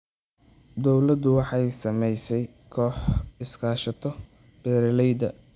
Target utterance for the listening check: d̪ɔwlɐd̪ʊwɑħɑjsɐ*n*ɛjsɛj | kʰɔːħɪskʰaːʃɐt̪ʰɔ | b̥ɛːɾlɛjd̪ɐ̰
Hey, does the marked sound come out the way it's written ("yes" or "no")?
no